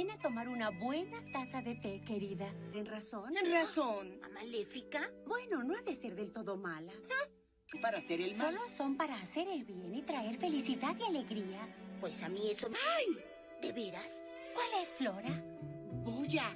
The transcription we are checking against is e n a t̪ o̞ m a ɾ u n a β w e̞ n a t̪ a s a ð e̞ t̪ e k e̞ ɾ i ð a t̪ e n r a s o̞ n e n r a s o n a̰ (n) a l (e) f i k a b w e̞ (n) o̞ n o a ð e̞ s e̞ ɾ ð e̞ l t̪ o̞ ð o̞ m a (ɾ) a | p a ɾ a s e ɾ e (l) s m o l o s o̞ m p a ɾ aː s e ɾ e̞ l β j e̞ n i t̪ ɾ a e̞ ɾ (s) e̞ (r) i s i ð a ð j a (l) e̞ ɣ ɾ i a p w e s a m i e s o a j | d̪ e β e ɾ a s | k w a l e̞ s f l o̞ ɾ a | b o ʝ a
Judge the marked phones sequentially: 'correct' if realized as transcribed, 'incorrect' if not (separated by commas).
incorrect, correct, correct, incorrect, correct, incorrect, incorrect, correct